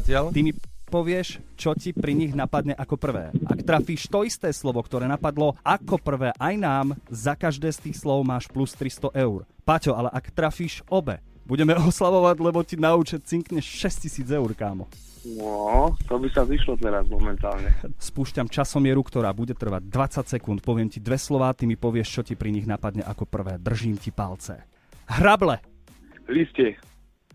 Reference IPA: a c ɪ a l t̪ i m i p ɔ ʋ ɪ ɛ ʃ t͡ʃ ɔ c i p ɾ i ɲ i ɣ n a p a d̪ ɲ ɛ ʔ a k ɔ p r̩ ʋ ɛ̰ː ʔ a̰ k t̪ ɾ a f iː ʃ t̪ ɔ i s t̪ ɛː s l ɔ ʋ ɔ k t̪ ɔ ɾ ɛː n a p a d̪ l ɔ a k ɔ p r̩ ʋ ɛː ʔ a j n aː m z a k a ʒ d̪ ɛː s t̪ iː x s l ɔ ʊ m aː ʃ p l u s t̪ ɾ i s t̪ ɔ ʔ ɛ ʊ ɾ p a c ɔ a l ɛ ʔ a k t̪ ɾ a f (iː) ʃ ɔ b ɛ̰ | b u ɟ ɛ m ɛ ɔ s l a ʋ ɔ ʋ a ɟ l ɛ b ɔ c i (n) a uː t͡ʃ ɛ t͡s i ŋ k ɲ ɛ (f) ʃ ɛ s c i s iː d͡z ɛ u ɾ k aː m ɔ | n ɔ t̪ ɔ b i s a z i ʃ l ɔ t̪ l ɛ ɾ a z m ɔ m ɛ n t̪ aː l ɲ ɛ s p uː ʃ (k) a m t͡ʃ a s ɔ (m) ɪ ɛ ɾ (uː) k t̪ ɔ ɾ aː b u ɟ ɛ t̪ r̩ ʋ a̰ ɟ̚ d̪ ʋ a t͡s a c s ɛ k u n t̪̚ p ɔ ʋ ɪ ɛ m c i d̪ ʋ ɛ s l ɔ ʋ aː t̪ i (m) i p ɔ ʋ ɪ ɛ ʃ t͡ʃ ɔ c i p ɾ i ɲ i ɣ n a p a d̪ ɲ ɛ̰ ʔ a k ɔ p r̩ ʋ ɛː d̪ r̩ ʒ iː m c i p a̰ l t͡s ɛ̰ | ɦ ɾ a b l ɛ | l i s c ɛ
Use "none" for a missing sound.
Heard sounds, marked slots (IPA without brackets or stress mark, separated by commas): iː, n, ʃ, c, m, u, m